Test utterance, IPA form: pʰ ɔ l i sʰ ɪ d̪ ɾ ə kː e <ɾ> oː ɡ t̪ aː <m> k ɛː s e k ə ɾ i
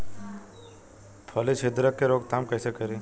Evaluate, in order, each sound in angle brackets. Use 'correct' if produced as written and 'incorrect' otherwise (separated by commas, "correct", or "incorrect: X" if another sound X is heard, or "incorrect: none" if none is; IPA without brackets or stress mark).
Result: correct, correct